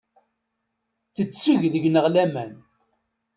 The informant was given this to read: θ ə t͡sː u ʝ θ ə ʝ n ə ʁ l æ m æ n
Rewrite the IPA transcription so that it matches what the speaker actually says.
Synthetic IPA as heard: θ ə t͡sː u ʝ ð ə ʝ n ə ʁ l æ m æ n